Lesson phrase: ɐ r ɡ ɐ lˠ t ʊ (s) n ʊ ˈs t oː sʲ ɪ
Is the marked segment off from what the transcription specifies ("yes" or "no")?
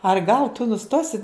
yes